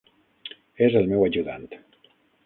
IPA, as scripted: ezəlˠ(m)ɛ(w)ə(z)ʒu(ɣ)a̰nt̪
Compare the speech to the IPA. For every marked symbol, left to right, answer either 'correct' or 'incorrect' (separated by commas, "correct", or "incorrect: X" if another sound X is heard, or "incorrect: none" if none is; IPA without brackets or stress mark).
correct, correct, incorrect: none, incorrect: ð